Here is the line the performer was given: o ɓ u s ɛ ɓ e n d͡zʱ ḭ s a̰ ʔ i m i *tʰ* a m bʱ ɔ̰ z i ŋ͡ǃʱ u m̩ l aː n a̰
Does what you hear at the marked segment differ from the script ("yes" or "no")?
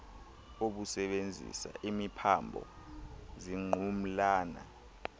yes